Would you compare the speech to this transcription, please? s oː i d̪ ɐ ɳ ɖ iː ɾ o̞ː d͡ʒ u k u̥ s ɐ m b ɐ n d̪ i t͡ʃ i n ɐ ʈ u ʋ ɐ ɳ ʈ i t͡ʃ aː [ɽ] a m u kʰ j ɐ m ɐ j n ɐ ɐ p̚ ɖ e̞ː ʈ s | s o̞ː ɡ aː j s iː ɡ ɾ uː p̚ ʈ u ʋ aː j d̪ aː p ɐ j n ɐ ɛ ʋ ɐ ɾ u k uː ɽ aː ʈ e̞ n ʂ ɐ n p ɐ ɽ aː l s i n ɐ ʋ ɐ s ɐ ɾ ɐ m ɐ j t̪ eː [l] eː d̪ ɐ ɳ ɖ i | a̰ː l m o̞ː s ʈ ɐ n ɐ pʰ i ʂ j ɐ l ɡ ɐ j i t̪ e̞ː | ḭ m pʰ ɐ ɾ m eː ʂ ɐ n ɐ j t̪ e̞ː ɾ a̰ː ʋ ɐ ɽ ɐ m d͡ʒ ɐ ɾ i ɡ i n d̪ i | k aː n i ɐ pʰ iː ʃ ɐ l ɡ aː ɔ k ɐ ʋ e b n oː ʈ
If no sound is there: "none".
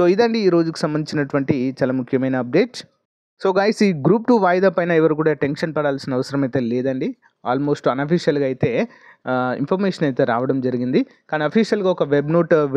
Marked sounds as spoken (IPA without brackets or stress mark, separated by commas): l, l